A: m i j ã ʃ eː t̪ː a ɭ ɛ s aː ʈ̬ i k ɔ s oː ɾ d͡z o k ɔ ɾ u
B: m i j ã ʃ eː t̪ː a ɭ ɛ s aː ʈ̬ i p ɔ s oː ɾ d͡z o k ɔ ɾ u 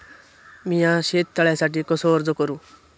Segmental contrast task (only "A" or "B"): A